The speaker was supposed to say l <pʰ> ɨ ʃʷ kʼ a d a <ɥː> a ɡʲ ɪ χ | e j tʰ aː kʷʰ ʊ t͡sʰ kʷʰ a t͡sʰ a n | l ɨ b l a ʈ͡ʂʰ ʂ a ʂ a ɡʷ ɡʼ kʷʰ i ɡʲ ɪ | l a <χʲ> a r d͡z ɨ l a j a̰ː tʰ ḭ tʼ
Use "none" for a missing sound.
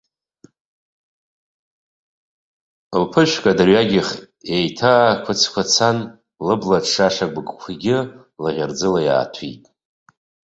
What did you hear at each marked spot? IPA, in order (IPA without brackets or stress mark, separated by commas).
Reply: pʰ, ɥ, ʁʲ